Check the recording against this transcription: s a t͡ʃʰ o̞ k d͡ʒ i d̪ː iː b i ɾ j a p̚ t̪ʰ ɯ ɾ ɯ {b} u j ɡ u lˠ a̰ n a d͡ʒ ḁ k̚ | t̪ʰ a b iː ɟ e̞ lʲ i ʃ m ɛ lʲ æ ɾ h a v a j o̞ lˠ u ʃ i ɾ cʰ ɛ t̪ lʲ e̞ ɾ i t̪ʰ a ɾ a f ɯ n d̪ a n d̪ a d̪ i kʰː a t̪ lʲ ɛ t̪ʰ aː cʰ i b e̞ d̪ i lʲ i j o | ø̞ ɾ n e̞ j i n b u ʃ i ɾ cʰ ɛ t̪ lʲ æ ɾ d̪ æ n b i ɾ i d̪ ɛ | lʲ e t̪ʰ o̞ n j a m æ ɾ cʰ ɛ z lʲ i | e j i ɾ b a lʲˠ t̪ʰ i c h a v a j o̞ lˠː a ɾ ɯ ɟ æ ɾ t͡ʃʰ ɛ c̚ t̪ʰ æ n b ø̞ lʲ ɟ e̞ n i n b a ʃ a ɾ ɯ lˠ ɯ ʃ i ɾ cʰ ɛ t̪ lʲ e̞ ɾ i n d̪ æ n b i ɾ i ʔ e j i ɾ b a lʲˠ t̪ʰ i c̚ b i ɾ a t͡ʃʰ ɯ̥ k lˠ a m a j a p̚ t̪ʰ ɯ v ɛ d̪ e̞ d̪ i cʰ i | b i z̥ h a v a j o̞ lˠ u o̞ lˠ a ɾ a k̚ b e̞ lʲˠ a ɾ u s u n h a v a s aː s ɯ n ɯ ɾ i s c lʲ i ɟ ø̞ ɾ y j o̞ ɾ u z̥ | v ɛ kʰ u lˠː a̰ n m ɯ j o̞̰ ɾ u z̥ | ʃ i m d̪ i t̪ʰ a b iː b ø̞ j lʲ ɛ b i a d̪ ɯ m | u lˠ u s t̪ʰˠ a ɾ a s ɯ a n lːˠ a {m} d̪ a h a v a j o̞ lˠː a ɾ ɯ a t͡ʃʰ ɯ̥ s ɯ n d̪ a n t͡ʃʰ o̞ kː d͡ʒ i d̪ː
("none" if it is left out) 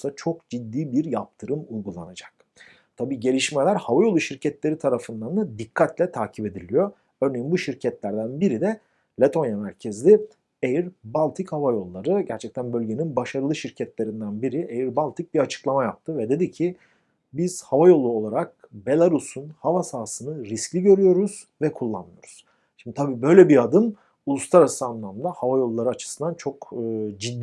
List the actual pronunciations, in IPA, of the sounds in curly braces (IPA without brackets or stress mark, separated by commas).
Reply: m, m